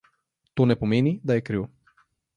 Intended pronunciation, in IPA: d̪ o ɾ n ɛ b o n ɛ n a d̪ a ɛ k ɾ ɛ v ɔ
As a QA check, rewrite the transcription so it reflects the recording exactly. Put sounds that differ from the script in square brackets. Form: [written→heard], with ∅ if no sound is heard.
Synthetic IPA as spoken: [d̪→t̪] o [ɾ→∅] n ɛ [b→p] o [n→m] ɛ n [a→i] d̪ a ɛ k ɾ [ɛ→i] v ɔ